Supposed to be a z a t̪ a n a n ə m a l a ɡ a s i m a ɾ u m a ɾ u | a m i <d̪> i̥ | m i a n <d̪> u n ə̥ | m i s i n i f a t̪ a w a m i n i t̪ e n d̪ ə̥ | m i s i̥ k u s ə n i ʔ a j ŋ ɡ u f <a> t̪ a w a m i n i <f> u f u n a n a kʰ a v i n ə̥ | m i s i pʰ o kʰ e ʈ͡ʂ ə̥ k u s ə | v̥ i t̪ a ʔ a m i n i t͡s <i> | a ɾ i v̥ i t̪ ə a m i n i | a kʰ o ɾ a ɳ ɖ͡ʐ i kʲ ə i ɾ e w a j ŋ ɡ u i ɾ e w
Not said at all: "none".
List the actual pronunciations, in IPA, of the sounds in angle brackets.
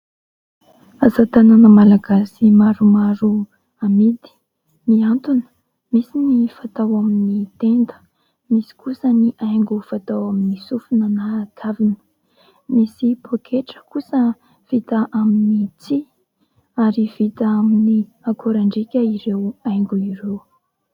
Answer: d̪, t̪, a, s, i

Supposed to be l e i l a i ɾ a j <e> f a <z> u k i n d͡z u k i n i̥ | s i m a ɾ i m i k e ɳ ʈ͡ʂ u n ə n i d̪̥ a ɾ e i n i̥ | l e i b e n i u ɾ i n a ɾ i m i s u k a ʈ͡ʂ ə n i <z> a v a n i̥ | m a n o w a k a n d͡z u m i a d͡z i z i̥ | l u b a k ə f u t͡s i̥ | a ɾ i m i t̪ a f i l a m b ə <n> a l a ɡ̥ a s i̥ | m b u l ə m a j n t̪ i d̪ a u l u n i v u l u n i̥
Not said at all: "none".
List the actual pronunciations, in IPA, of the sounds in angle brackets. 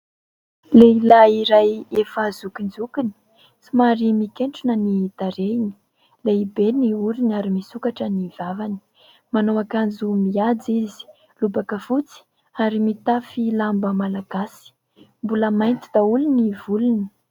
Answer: e, z, v, m

